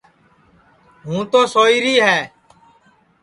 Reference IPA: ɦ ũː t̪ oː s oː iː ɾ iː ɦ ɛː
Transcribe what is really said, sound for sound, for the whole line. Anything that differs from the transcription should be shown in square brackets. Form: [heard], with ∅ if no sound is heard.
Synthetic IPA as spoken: ɦ ũː t̪ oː s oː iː ɾ iː ɦ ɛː